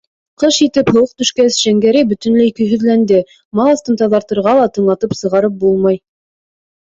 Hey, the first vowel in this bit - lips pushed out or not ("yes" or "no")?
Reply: no